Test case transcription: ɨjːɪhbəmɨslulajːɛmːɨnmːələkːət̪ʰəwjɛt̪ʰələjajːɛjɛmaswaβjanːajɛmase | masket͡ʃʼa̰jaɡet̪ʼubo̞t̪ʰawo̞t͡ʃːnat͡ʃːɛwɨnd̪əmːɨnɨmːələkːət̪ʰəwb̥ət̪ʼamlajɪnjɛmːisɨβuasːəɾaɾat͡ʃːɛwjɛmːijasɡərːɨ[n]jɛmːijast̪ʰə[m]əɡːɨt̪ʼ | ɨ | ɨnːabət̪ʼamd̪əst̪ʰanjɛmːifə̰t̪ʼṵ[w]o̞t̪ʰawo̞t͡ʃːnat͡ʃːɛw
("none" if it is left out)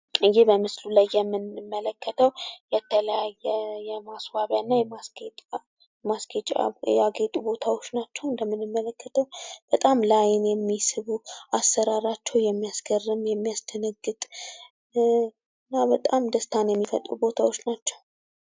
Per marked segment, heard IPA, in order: m, n, b

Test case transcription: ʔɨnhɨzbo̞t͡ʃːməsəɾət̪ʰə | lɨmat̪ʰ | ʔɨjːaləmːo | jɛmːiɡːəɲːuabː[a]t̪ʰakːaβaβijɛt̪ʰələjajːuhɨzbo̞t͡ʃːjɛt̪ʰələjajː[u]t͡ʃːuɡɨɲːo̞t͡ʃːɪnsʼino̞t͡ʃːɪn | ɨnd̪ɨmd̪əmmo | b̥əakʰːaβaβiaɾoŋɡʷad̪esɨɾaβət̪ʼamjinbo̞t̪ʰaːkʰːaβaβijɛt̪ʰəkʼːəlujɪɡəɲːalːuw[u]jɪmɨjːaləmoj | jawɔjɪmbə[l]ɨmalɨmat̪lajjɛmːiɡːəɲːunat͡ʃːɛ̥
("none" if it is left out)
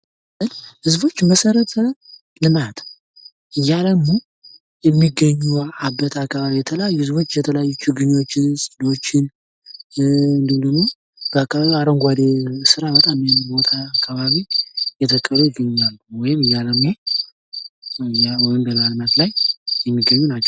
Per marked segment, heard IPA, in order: ə, u, ɔ, l

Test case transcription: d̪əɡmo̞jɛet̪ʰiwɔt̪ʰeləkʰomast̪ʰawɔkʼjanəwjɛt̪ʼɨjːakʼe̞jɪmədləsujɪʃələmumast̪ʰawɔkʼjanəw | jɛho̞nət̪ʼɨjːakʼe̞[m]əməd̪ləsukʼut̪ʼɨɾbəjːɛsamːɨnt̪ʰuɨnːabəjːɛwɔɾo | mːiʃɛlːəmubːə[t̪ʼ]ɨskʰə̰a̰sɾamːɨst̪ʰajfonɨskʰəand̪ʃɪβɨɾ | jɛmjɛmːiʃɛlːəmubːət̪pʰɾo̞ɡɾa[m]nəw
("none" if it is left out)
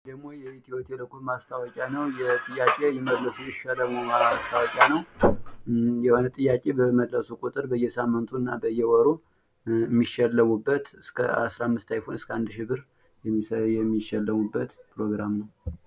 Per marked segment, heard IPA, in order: b, t̪, m

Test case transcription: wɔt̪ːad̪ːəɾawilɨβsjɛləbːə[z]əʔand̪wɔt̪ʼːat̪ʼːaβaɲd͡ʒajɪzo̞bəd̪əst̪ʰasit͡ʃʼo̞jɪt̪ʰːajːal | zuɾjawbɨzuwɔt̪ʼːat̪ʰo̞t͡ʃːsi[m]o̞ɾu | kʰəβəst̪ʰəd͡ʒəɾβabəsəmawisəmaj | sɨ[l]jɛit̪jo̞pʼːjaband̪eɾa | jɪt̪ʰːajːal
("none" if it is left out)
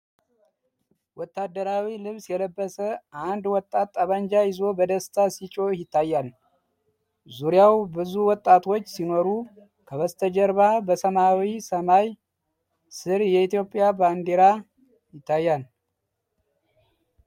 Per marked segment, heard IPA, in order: s, n, ɾ

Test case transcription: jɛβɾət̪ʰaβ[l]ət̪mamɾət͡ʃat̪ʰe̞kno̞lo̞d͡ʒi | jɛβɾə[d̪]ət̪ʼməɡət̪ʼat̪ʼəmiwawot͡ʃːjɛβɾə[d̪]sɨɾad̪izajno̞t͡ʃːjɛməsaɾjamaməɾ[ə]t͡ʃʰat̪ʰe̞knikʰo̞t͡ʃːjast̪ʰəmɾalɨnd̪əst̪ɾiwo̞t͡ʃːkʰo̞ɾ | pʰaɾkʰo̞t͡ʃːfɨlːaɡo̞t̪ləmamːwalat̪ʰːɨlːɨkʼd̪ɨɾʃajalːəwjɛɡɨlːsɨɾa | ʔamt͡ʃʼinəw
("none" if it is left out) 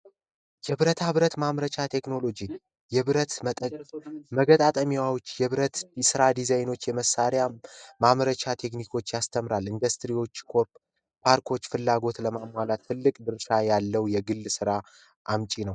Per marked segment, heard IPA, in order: ɾ, t̪, t̪, ə

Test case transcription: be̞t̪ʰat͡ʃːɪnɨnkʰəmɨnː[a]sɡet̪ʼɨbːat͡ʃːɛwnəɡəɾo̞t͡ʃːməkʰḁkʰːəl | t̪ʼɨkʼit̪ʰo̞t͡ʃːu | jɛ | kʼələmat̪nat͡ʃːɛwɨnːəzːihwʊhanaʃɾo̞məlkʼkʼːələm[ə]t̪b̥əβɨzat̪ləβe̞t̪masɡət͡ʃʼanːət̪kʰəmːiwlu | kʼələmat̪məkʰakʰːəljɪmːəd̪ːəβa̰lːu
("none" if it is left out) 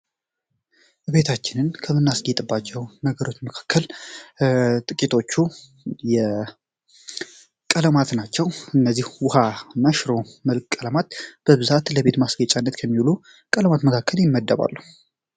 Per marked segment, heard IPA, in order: a, a

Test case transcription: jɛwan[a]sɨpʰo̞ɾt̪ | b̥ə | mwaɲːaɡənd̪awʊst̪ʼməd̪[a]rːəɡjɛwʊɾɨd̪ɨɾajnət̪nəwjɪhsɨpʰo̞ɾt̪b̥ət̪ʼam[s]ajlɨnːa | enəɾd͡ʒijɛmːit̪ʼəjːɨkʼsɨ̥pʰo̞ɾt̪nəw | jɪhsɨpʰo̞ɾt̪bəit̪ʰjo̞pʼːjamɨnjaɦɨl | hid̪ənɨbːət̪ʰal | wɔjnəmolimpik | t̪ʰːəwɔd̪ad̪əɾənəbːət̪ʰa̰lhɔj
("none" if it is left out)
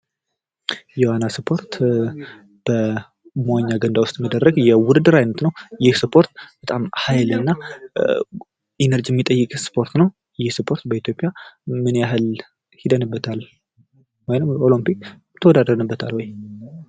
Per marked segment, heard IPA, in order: a, ə, h

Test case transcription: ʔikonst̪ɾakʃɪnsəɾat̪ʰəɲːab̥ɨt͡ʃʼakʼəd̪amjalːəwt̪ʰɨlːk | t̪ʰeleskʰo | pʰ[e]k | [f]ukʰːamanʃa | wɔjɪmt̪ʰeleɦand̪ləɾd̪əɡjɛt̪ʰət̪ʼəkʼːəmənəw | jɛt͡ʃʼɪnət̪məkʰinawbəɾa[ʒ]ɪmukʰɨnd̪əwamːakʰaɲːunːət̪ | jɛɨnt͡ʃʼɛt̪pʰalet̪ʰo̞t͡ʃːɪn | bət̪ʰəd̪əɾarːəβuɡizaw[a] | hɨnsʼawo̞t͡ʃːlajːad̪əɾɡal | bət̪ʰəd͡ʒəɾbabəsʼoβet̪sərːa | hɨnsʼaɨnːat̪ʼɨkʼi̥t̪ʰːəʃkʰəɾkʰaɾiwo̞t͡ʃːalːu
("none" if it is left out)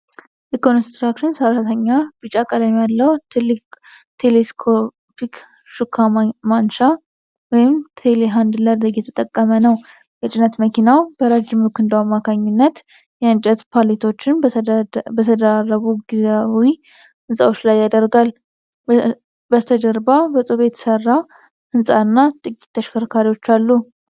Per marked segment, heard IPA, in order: i, ʃ, d͡ʒ, i

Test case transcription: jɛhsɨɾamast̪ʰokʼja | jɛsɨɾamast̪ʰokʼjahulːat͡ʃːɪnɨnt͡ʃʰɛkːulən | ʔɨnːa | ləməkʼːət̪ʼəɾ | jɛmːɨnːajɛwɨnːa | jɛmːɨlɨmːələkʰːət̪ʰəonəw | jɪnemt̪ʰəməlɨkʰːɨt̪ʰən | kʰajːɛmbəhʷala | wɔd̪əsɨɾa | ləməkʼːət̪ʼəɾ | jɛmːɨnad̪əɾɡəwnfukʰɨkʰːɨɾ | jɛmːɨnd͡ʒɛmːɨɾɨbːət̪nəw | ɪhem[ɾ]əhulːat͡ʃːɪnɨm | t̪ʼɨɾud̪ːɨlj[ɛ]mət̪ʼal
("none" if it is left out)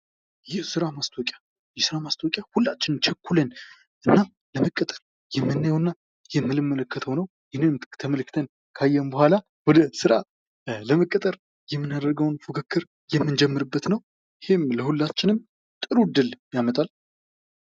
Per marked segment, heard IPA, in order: l, a

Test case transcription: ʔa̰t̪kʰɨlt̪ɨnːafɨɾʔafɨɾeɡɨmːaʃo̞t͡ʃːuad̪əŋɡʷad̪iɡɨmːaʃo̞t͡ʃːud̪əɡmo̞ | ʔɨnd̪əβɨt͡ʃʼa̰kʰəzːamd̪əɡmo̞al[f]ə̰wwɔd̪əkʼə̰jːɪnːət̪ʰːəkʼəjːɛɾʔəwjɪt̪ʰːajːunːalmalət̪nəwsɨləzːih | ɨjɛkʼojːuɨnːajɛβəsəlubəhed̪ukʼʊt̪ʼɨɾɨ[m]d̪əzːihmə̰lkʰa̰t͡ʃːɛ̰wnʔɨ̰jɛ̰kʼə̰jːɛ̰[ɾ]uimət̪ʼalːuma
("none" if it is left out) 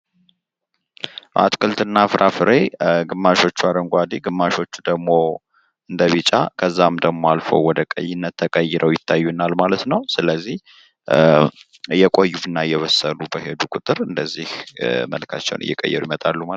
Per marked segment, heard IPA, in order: f, n, ɾ

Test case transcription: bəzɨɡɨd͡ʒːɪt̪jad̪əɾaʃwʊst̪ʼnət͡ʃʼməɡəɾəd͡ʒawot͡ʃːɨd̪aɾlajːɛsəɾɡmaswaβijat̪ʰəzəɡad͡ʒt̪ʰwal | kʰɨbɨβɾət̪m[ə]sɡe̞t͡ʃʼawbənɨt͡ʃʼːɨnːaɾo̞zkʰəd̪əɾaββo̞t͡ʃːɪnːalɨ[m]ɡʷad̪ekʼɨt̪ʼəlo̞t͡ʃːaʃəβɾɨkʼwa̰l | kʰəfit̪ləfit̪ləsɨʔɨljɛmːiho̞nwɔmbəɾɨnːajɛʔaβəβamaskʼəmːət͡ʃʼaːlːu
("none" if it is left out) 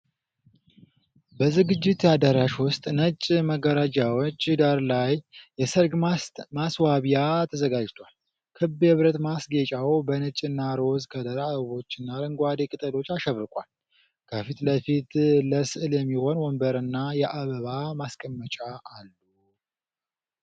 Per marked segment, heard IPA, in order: a, ŋ

